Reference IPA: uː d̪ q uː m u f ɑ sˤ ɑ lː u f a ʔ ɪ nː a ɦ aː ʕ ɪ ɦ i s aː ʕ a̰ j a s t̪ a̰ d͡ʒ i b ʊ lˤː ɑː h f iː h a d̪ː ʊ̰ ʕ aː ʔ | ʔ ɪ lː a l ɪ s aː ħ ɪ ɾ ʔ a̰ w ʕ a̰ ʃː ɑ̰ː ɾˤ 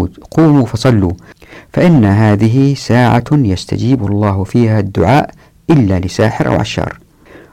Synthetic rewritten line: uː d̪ q uː m u f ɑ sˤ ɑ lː u f a ʔ ɪ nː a ɦ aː ð ɪ ɦ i s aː ʕ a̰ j a s t̪ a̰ d͡ʒ iː b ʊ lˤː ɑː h f iː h a d̪ː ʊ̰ ʕ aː ʔ | ʔ ɪ lː a l ɪ s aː ħ ɪ ɾ ʔ a̰ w ʕ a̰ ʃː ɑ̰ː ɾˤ